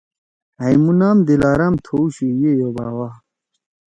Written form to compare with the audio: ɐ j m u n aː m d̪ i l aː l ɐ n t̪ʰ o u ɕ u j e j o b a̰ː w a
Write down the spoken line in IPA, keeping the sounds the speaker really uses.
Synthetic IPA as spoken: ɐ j m u n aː m d̪ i l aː ɾ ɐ m t̪ʰ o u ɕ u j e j o b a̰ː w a